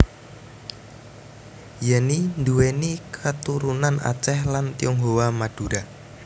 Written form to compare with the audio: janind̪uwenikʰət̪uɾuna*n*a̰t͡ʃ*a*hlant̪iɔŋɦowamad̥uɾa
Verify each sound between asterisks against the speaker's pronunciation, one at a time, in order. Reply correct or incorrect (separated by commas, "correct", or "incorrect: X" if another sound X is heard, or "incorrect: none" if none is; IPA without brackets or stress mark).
correct, incorrect: ɛ